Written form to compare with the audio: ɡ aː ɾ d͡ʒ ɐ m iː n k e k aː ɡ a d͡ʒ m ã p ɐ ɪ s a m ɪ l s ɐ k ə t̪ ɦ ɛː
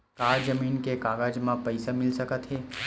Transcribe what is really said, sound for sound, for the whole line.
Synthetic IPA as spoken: k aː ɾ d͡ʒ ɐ m iː n k e k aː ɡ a d͡ʒ m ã p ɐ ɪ s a m ɪ l s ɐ k ə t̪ ɦ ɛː